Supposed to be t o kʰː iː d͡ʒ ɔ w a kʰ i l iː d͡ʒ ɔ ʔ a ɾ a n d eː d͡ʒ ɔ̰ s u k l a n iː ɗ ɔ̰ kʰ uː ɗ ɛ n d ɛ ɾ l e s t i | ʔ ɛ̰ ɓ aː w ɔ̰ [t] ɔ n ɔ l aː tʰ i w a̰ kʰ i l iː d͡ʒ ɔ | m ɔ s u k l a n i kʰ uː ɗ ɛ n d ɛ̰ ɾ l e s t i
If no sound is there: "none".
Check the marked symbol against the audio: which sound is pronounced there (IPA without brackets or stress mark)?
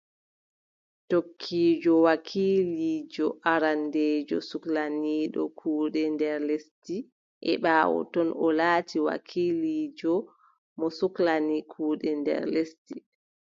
t